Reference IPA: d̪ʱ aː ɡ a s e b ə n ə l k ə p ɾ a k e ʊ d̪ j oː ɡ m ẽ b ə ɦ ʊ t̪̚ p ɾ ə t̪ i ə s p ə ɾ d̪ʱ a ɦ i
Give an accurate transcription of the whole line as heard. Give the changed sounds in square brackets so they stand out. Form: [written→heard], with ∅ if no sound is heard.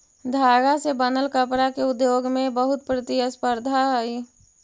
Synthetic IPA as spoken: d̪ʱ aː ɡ a s e b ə n ə l k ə p ɾ a k e ʊ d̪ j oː ɡ m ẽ b ə ɦ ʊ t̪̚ p ɾ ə t̪ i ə s p ə ɾ d̪ʱ a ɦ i